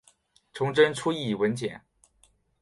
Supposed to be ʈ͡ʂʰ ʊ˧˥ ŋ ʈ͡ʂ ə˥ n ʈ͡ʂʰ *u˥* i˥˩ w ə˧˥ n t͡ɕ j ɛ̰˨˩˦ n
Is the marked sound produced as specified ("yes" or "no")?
yes